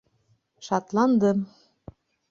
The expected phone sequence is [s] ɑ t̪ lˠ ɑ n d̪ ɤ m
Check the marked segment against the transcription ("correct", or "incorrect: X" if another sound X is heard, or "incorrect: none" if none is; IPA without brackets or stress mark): incorrect: ʃ